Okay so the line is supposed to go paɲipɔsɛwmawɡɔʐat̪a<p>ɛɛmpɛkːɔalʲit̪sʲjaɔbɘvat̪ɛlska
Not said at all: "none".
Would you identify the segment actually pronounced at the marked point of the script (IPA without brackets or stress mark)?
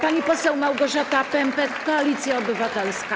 p